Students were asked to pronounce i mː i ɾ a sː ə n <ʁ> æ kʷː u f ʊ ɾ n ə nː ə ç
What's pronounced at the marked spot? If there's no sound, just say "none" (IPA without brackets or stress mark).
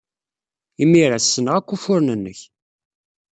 ʁ